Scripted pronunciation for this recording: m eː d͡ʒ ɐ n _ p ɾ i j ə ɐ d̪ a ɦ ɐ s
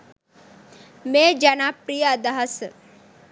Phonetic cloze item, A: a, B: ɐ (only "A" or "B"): A